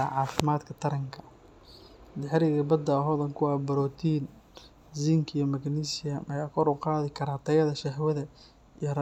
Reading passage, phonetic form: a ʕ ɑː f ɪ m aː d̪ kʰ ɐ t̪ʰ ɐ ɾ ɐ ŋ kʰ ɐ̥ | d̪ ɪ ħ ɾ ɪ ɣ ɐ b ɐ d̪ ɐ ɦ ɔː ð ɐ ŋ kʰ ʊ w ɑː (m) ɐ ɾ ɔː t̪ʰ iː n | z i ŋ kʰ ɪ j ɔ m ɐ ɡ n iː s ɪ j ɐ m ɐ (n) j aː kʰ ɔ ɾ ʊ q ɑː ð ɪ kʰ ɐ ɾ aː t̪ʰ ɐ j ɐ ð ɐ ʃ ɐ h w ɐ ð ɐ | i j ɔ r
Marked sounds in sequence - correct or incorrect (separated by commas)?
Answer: incorrect, incorrect